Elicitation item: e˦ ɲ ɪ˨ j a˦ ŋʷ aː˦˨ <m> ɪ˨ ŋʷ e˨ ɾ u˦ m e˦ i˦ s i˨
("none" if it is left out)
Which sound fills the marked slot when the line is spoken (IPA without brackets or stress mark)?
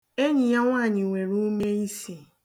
ɲ